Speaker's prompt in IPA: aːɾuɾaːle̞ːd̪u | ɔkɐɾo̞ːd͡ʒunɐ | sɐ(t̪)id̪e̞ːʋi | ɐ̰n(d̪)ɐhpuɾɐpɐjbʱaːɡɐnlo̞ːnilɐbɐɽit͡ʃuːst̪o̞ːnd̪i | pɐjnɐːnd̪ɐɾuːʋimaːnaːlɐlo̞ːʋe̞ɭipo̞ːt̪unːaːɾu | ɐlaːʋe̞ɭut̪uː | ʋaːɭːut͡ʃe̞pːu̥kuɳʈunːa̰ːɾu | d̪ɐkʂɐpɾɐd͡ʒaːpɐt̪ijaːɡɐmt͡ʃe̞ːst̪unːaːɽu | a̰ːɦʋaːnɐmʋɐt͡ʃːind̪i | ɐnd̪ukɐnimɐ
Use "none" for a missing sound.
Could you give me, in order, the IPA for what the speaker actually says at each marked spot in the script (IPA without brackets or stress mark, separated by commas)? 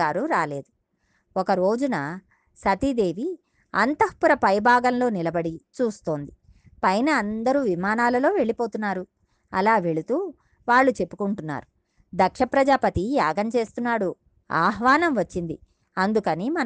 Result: t̪, t̪